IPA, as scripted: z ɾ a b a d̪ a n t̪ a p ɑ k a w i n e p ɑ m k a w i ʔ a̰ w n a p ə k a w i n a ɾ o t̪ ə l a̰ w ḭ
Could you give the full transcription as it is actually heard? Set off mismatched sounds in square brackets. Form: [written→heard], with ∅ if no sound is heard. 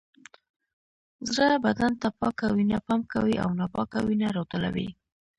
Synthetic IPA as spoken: z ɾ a b a d̪ a n t̪ a p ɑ k a w i n [e→a] p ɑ m k a w i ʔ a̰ w n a p [ə→ɑ] k a w i n a ɾ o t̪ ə l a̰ w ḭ